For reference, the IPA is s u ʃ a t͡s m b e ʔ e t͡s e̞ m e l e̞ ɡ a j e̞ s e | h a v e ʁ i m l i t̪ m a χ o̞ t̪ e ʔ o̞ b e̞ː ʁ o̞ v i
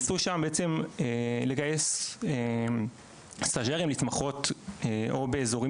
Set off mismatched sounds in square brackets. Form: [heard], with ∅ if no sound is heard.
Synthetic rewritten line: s u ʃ a [∅] m b e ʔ e t͡s e̞ m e l e̞ ɡ a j e̞ s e | [s] a [ʒ] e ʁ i m l i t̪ m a χ o̞ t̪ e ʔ o̞ b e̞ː [z] o̞ [ʁ] i